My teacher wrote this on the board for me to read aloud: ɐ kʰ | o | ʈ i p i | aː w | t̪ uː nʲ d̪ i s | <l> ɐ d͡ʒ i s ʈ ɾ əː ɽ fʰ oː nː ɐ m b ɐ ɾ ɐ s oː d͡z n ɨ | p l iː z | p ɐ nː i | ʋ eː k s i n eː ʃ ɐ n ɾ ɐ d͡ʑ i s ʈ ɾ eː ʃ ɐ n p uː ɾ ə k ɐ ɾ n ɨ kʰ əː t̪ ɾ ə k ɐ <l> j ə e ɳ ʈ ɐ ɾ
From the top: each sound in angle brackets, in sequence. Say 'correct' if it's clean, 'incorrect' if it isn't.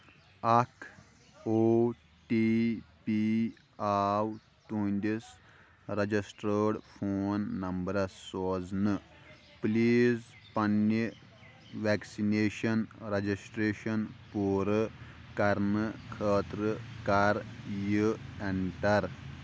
incorrect: ɾ, incorrect: ɾ

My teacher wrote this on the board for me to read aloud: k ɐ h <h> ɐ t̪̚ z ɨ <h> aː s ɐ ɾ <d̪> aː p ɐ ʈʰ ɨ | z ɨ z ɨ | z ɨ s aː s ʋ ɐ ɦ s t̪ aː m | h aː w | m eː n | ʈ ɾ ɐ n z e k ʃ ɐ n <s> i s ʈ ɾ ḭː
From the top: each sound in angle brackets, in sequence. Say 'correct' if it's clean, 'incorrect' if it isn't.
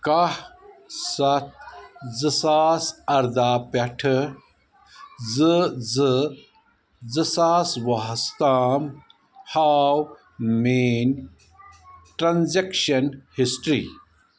incorrect: s, incorrect: s, correct, incorrect: h

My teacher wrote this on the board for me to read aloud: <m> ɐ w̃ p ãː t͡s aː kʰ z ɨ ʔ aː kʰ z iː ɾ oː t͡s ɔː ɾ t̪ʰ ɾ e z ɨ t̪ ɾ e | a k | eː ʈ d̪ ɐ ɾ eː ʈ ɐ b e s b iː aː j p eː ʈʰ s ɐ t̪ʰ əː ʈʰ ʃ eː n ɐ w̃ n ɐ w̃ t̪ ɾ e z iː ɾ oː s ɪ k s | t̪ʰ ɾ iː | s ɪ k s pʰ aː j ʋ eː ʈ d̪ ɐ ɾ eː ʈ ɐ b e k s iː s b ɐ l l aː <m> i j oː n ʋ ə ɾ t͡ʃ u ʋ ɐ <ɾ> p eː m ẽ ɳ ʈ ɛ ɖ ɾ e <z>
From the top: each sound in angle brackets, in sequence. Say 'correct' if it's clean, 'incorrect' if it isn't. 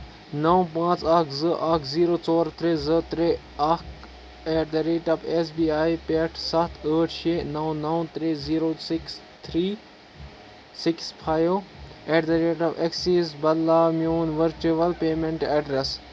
incorrect: n, correct, incorrect: l, incorrect: s

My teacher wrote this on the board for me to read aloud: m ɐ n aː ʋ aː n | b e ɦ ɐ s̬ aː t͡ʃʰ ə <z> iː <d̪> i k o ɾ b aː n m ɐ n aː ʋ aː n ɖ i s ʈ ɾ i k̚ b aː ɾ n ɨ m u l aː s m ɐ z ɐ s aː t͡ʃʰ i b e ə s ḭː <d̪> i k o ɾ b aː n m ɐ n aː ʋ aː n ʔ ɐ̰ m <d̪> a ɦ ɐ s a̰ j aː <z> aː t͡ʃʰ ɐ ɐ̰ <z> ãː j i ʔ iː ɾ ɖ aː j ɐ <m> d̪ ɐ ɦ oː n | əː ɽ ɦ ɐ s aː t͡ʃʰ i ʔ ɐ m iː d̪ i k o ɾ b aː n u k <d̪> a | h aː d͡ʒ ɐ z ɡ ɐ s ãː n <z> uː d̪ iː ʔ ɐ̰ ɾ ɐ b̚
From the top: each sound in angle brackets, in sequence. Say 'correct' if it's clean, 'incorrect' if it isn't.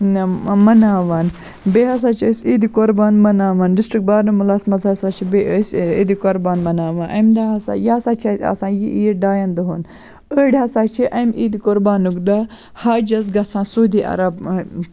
incorrect: s, correct, correct, correct, incorrect: s, incorrect: s, incorrect: n, correct, incorrect: s

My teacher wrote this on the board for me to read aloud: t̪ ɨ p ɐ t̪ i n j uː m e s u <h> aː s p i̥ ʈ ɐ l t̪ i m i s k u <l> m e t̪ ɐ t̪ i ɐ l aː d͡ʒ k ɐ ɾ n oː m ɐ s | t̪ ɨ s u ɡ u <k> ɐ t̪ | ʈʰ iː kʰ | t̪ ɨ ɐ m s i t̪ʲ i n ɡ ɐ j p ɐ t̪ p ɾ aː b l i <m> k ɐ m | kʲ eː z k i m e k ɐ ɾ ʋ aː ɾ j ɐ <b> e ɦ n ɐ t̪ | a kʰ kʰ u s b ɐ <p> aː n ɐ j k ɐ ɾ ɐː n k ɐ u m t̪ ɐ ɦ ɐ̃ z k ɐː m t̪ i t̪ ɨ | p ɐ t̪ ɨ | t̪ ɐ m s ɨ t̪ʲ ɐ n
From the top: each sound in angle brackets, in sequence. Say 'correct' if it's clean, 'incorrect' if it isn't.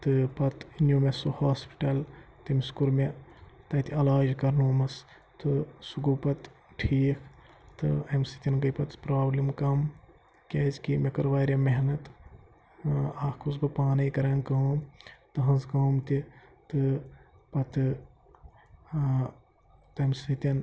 correct, incorrect: ɾ, incorrect: p, correct, incorrect: m, correct

